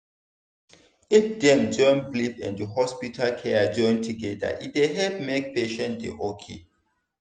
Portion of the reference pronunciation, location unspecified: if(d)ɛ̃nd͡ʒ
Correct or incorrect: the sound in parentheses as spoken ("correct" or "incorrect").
correct